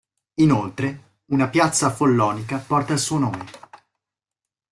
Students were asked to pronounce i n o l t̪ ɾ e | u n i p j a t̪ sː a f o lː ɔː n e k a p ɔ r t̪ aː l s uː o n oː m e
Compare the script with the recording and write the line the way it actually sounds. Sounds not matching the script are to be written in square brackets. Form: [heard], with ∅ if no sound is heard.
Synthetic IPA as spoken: i n o l t̪ ɾ e | u n [a] p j a t̪ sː a f o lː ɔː n [i] k a p ɔ r t̪ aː l s uː o n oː m e